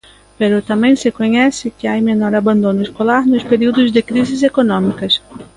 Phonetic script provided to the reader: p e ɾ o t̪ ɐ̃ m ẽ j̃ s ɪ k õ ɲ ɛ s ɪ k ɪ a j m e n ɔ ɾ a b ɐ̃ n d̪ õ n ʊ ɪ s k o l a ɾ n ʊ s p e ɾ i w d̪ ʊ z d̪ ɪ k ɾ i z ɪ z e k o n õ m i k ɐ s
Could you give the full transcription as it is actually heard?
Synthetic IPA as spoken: p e ɾ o t̪ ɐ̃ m ẽ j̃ s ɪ k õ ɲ ɛ s ɪ k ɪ a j m e n ɔ ɾ a b ɐ̃ n d̪ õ n ʊ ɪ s k o l a ɾ n ʊ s p e ɾ i w d̪ ʊ z d̪ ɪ k ɾ i z ɪ z e k o n õ m i k ɐ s